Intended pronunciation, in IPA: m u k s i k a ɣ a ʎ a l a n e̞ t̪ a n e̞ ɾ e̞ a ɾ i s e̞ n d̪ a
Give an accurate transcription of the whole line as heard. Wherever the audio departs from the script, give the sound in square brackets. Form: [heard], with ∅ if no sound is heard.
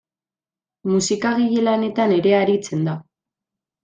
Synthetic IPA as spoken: m u [∅] s i k a ɣ [i] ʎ [e] l a n e̞ t̪ a n e̞ ɾ e̞ a ɾ i [t͡s] e̞ n d̪ a